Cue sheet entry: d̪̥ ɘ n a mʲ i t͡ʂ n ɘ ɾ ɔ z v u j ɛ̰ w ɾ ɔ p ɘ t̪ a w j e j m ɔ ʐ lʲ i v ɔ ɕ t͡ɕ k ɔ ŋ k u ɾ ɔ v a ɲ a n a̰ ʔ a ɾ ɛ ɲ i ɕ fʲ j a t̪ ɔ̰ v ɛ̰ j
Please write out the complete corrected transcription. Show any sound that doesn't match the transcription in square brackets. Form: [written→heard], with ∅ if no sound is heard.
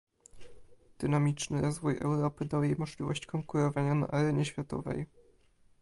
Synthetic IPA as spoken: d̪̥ ɘ n a mʲ i t͡ʂ n ɘ ɾ ɔ z v u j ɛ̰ w ɾ ɔ p ɘ [t̪→d̪] a w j e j m ɔ ʐ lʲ i v ɔ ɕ t͡ɕ k ɔ ŋ k u ɾ ɔ v a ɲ a n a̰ ʔ a ɾ ɛ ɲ [i→ɛ] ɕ fʲ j a t̪ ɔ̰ v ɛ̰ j